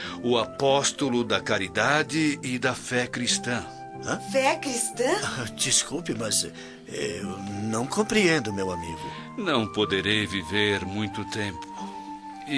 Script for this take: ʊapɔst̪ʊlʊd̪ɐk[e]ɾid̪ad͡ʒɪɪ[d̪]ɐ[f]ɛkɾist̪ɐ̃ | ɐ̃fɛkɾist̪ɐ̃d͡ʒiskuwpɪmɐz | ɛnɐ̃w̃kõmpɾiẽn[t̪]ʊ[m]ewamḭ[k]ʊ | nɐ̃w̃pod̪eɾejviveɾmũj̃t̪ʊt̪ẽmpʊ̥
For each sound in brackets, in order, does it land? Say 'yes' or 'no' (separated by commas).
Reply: no, yes, yes, no, yes, no